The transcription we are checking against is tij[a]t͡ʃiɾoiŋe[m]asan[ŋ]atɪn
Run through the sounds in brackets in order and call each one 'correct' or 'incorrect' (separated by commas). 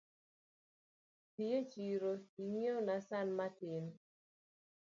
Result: incorrect, incorrect, incorrect